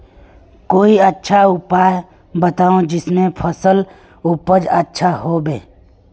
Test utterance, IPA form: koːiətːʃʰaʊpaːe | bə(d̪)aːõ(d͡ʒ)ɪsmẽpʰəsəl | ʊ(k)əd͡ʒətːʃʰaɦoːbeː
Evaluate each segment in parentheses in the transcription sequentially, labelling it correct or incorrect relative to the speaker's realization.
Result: incorrect, correct, incorrect

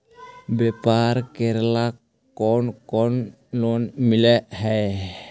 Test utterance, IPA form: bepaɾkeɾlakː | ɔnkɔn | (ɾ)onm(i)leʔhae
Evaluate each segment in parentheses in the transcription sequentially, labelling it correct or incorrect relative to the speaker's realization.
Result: incorrect, correct

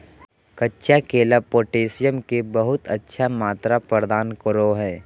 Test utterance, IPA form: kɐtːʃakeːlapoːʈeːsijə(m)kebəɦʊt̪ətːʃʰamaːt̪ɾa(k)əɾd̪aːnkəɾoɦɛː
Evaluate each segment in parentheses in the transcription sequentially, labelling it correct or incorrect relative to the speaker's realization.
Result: correct, incorrect

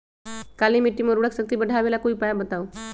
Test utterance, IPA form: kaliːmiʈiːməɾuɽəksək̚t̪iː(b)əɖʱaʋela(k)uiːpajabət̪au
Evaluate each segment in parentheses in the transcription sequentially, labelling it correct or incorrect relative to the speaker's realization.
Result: correct, correct

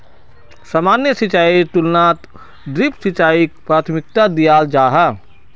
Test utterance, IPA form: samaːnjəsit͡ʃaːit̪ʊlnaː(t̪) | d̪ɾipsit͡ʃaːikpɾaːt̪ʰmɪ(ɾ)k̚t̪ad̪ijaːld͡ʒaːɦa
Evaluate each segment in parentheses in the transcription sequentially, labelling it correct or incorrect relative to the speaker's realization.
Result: correct, incorrect

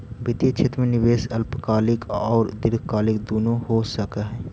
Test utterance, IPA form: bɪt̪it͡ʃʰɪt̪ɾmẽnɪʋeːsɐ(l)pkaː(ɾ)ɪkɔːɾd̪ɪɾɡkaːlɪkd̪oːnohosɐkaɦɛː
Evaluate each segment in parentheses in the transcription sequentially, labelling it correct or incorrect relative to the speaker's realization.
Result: correct, incorrect

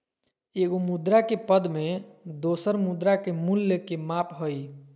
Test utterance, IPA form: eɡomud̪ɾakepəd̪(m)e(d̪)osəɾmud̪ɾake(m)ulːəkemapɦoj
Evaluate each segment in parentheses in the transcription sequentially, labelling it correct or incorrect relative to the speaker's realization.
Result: correct, correct, correct

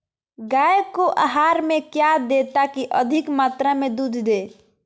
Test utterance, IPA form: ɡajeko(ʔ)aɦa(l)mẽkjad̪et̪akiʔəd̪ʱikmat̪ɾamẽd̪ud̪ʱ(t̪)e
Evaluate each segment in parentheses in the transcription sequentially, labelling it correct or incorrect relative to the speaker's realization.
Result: correct, incorrect, incorrect

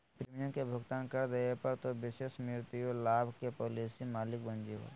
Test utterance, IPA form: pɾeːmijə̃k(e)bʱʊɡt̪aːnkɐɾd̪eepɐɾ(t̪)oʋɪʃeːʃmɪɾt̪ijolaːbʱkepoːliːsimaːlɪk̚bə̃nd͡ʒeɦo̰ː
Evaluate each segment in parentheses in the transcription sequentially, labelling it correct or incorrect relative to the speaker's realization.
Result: correct, correct

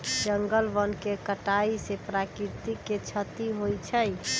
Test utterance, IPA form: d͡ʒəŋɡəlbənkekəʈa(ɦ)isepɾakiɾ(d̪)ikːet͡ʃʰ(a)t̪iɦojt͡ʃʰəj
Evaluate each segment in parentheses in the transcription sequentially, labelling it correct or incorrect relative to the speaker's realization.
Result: incorrect, incorrect, incorrect

